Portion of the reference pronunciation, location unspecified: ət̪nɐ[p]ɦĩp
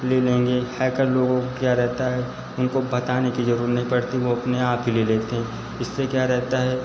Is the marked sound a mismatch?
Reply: yes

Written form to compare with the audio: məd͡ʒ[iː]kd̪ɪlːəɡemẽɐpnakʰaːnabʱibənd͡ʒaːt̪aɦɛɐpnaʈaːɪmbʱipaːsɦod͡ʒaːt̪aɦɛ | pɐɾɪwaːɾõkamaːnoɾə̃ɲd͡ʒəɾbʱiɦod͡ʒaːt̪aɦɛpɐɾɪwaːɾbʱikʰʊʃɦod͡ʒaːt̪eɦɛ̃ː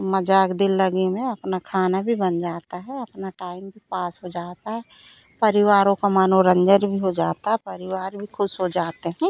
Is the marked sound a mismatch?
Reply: yes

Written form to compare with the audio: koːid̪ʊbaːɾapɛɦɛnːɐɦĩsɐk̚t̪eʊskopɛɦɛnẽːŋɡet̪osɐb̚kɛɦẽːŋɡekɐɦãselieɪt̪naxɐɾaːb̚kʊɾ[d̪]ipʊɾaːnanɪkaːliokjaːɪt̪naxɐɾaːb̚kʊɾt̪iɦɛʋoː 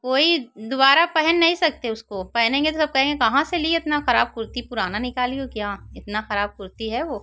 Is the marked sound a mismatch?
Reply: yes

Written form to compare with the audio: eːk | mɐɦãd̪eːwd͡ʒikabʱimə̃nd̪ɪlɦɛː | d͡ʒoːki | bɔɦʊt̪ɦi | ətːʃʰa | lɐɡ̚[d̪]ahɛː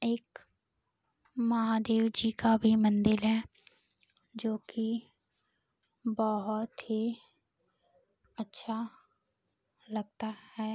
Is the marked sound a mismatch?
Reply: yes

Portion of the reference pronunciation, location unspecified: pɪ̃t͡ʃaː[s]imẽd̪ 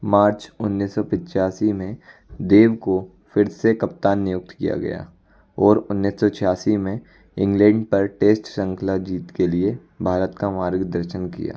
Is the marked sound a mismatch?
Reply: no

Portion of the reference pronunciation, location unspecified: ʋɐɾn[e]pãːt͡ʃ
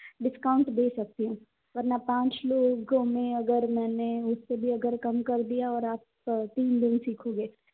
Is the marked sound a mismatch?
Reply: yes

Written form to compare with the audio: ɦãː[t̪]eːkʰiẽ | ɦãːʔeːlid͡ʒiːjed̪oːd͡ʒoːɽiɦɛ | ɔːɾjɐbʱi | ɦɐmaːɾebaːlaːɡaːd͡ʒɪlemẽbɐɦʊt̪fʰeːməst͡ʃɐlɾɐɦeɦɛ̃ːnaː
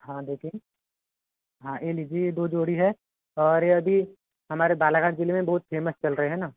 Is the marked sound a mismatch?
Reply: yes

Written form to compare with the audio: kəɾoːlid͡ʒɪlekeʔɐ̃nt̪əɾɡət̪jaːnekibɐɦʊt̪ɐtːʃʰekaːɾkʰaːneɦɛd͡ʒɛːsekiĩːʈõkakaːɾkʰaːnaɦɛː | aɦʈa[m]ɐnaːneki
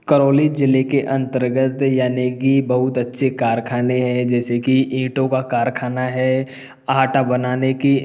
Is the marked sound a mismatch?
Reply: yes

